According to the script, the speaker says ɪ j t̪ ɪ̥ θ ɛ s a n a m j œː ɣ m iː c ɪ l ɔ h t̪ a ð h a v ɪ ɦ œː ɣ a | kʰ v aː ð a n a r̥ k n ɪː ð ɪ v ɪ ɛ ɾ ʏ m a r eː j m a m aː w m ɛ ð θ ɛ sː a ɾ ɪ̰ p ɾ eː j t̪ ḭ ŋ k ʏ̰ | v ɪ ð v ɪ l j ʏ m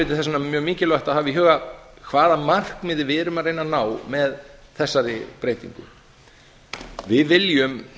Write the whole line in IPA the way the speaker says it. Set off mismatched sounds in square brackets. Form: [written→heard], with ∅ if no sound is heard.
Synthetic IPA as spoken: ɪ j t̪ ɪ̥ θ ɛ s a n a m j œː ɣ m iː c ɪ l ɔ h t̪ a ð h a v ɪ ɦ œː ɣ a | kʰ v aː ð a [n→m] a r̥ k [n→m] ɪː ð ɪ v ɪ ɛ ɾ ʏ m a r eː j [m→n] a [m→n] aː w m ɛ ð θ ɛ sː a ɾ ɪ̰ p ɾ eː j t̪ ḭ ŋ k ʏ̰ | v ɪ ð v ɪ l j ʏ m